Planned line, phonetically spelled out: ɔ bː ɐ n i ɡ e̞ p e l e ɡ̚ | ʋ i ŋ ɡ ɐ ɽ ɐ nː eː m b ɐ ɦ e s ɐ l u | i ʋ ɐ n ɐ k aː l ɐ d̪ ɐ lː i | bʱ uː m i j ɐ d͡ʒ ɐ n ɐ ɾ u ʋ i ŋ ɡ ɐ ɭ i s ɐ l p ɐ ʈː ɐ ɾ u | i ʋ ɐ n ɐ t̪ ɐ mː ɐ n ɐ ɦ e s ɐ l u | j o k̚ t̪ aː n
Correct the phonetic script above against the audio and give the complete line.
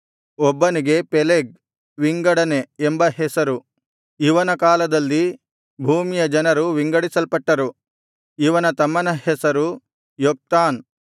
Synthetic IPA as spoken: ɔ bː ɐ n i ɡ e̞ p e l e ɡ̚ | ʋ i ŋ ɡ ɐ ɽ ɐ n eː m b ɐ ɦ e s ɐ ɾ u | i ʋ ɐ n ɐ k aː l ɐ d̪ ɐ lː i | bʱ uː m i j ɐ d͡ʒ ɐ n ɐ ɾ u ʋ i ŋ ɡ ɐ ɽ i s ɐ l p ɐ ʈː ɐ ɾ u | i ʋ ɐ n ɐ t̪ ɐ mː ɐ n ɐ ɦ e s ɐ ɾ u | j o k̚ t̪ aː n